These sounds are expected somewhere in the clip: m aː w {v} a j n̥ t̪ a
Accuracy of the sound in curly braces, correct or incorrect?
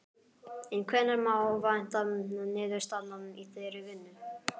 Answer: correct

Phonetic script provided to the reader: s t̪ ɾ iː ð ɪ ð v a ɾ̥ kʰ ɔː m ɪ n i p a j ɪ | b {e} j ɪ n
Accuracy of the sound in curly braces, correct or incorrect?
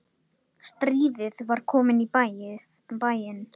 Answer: incorrect: a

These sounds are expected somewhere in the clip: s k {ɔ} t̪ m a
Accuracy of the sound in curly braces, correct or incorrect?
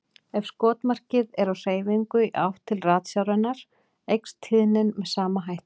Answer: incorrect: ɔː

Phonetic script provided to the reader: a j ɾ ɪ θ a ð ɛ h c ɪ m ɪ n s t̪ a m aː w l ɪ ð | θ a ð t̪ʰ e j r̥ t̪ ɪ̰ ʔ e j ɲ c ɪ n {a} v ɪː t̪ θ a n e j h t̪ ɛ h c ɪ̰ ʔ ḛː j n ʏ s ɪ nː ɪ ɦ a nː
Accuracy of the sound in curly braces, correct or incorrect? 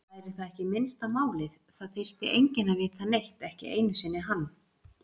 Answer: correct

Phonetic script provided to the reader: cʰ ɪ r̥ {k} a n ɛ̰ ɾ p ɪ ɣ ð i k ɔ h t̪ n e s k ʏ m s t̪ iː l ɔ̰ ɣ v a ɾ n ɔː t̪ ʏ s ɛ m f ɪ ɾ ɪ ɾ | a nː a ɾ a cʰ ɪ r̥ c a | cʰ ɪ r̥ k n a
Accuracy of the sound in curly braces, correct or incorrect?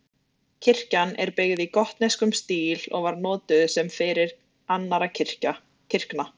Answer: incorrect: c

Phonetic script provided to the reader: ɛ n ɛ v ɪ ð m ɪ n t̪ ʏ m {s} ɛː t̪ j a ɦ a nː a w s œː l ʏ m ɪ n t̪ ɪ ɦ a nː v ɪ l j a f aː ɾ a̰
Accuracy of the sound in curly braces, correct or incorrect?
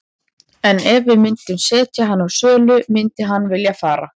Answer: correct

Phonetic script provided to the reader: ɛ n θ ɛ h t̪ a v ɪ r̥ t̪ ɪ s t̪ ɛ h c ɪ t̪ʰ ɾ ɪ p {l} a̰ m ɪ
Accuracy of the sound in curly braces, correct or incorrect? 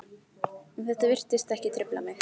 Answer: correct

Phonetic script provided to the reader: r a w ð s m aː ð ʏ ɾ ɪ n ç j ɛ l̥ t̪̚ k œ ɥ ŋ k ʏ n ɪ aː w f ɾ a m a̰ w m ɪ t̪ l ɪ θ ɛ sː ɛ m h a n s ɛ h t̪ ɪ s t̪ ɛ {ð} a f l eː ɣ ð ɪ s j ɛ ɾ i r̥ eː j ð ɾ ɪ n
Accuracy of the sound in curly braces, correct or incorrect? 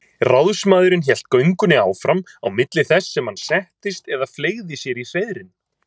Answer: correct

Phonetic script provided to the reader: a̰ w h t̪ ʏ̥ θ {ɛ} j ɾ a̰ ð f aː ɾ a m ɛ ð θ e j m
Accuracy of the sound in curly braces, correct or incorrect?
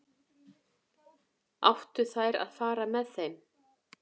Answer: incorrect: a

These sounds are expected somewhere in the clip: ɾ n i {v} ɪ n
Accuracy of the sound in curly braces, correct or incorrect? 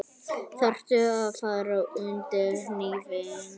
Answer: correct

